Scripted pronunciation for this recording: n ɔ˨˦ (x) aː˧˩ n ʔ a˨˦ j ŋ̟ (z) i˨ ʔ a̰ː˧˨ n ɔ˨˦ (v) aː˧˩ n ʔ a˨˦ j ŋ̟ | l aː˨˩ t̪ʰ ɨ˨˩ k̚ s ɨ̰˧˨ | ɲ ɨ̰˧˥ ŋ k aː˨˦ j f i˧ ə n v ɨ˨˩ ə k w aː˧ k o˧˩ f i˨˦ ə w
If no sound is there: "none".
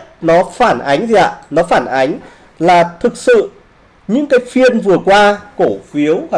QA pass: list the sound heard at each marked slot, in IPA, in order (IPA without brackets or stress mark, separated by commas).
f, z, f